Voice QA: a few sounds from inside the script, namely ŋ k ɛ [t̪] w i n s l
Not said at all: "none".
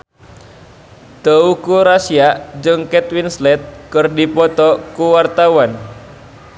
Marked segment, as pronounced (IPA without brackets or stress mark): t̪